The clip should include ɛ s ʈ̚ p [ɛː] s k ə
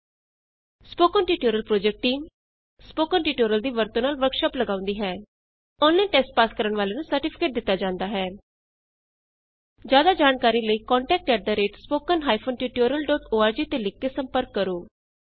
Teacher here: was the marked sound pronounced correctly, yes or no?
no